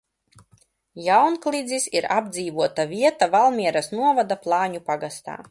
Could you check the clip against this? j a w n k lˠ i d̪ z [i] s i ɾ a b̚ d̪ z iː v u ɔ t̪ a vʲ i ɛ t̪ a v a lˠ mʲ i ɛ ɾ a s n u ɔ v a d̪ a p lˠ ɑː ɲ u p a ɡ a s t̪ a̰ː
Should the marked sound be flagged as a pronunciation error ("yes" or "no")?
no